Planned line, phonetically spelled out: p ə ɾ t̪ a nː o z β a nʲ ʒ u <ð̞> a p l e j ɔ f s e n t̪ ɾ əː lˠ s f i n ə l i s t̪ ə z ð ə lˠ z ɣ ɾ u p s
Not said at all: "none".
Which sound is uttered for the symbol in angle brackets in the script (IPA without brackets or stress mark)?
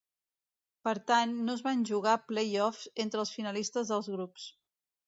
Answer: ɣ̞